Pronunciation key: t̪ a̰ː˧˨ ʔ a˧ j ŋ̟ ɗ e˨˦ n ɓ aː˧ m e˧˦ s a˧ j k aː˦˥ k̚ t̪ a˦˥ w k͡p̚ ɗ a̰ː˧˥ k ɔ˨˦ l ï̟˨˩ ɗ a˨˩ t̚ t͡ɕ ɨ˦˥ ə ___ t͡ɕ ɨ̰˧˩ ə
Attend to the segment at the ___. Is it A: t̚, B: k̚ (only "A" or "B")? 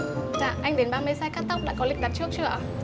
B